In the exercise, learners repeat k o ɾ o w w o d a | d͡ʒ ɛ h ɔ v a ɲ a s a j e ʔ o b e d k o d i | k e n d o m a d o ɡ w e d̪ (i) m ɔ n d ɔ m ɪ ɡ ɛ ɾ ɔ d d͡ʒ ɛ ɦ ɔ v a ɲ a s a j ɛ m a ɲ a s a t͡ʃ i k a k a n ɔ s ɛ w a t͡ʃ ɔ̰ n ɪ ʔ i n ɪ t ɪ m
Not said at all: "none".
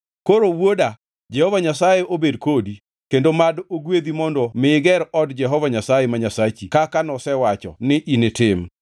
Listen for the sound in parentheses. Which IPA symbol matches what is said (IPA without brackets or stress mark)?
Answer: i